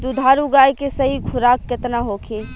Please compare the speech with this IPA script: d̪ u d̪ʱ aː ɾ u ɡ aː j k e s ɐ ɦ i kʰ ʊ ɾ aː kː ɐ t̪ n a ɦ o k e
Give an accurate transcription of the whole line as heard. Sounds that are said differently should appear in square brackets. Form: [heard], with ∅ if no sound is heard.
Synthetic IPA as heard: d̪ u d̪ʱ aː ɾ u ɡ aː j k e s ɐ ɦ i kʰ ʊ ɾ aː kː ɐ t̪ n a ɦ o [kʰ] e